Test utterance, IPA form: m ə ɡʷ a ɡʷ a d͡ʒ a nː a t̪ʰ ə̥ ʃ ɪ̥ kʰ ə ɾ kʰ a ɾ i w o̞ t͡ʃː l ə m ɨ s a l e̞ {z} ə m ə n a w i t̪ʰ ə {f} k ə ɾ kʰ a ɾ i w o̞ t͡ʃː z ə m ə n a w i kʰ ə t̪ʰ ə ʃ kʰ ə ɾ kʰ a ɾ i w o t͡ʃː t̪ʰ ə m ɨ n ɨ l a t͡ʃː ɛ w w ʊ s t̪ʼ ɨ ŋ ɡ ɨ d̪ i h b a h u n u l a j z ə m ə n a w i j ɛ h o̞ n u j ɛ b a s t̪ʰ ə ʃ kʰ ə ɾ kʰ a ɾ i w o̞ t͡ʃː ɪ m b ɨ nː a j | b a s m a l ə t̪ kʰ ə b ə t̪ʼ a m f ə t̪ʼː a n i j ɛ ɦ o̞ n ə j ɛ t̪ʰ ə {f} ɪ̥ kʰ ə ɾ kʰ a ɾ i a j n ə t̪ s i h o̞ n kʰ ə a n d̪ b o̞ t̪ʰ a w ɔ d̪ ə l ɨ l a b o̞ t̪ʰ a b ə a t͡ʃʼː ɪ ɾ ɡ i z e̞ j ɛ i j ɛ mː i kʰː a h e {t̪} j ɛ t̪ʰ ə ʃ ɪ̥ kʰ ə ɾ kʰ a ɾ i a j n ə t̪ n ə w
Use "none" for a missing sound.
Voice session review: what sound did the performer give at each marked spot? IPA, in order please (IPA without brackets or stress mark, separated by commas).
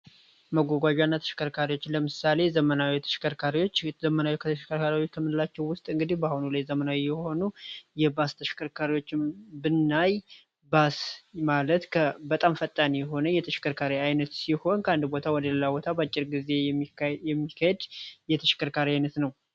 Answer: z, ʃ, ʃ, d̪